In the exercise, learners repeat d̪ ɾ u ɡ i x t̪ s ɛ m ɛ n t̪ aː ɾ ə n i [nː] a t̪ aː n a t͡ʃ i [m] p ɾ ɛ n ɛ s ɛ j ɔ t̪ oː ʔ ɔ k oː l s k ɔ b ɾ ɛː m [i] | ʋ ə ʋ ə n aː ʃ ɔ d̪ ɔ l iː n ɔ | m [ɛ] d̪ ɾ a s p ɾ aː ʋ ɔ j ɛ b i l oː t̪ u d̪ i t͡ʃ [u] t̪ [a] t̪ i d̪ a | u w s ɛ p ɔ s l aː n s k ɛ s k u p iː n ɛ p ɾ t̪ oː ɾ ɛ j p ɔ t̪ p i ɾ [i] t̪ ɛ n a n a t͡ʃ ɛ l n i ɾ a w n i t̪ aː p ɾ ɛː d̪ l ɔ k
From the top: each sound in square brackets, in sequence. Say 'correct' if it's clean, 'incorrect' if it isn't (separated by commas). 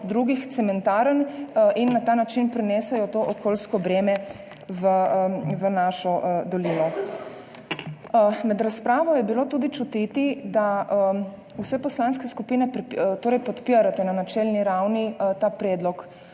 correct, incorrect, incorrect, correct, correct, incorrect, incorrect